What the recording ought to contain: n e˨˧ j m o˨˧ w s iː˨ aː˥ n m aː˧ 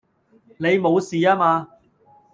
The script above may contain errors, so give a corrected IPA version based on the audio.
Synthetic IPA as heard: n e˨˧ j m o˨˧ w s iː˨ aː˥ m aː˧